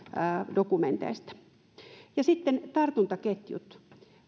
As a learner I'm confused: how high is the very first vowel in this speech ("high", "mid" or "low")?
mid